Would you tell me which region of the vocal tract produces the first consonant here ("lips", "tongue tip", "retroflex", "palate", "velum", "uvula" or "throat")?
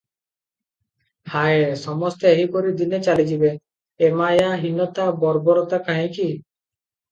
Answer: throat